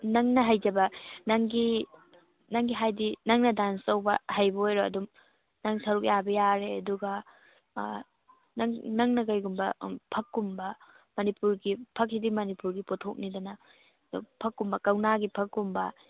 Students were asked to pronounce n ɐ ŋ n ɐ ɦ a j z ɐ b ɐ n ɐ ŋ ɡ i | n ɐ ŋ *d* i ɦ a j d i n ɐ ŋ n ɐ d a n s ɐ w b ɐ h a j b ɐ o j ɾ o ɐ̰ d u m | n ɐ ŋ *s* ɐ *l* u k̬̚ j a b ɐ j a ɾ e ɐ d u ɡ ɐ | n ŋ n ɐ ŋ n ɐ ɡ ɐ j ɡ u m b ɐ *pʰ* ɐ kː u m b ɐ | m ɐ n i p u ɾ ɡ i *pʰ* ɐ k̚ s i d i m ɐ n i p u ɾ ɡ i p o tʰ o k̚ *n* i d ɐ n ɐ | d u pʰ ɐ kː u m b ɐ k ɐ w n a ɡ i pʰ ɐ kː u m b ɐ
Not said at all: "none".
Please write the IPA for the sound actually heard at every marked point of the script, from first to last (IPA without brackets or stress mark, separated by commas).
ɡ, s, ɾ, pʰ, pʰ, n